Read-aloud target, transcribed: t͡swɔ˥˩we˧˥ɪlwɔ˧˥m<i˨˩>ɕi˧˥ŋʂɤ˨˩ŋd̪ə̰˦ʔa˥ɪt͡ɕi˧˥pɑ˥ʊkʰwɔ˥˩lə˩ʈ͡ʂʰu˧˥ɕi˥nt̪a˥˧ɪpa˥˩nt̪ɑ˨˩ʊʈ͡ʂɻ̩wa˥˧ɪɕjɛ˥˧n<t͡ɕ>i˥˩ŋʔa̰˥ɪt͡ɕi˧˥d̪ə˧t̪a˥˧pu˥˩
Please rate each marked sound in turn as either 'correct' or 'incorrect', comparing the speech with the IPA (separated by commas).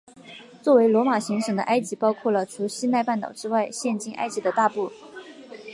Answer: incorrect, correct